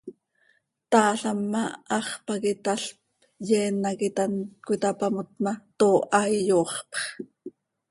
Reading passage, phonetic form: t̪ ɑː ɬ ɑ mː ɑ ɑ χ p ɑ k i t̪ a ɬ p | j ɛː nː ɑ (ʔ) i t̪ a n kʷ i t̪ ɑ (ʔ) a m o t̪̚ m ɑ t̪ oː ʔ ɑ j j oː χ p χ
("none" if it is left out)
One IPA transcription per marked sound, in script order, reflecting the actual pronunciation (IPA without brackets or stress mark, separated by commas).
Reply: k, p